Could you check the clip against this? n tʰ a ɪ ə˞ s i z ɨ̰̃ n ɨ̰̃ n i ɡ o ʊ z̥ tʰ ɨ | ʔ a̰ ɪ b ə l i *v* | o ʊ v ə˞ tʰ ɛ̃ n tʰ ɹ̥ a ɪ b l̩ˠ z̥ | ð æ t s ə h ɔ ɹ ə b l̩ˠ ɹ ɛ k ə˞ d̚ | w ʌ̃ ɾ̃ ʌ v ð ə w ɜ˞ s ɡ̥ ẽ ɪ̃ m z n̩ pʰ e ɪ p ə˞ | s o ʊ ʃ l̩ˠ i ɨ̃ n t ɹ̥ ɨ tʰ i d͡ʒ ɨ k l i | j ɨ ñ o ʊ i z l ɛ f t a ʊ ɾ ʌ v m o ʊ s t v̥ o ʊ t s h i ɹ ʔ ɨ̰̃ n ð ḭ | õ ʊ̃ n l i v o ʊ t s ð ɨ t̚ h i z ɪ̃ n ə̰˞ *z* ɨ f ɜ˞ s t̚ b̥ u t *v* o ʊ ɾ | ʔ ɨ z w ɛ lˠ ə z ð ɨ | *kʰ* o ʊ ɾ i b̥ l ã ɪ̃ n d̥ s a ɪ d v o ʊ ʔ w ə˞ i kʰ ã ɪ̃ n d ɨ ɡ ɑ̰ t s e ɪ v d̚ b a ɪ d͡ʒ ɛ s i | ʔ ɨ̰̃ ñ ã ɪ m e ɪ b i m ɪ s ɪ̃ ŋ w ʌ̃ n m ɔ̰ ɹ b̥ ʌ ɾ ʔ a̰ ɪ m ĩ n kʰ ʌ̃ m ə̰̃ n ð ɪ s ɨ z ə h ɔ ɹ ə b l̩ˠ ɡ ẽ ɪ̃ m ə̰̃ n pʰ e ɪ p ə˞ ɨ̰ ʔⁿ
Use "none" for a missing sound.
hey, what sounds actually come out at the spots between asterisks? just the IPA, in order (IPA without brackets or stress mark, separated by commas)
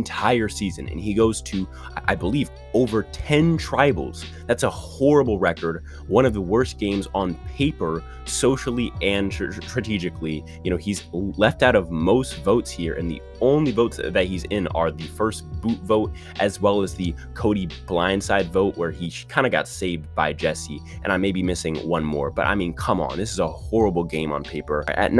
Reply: v, ð, v, kʰ